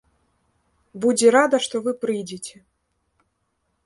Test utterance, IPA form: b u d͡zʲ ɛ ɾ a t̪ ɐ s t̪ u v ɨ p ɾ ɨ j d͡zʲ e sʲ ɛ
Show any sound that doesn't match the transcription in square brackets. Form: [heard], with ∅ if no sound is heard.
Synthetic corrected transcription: b u d͡zʲ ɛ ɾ a [d̪] ɐ [ʂ] t̪ [ɔ] v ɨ p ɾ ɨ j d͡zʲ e [t͡sʲ] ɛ